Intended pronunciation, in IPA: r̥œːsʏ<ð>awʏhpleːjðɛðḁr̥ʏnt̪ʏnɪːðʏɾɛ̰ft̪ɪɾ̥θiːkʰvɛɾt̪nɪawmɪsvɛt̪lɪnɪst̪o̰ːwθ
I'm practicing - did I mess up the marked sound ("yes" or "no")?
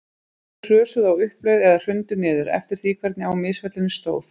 no